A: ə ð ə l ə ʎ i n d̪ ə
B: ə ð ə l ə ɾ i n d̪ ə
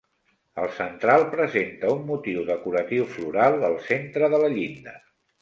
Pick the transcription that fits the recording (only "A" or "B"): A